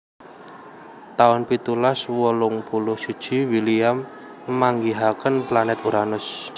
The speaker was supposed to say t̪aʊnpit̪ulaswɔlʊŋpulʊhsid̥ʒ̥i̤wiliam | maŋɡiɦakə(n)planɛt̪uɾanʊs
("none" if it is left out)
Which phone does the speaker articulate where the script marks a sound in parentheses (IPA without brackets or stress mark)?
n